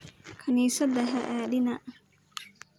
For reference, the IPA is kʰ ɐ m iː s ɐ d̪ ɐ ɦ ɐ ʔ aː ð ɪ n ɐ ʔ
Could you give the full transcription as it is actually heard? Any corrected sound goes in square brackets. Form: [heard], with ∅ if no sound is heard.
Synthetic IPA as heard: kʰ ɐ [n] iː s ɐ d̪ ɐ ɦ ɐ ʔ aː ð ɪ n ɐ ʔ